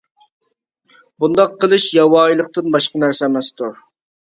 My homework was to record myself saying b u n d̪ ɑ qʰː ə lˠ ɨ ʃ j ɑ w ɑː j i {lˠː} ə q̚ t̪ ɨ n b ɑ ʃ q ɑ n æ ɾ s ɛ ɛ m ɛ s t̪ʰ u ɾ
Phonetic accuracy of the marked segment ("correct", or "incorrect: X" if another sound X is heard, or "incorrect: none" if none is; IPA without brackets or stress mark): incorrect: lˠ